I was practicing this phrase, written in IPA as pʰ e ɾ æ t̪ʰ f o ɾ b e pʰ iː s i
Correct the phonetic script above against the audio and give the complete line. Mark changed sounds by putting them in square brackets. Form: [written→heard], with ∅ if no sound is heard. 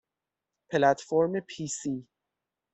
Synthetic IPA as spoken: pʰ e [ɾ→l] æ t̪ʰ f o ɾ [b→m] e pʰ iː s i